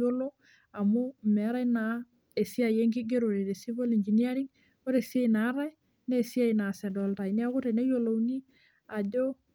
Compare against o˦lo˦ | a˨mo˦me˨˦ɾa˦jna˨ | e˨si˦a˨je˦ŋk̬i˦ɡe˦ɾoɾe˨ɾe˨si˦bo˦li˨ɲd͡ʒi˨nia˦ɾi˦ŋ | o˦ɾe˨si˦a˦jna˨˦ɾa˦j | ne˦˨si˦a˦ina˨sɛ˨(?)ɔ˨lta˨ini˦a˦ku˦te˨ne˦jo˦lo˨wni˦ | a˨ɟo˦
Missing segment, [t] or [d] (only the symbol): d